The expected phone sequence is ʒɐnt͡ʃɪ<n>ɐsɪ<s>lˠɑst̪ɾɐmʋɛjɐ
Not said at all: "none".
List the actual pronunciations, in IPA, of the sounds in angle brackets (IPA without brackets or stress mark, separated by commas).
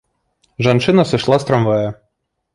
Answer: n, ʃ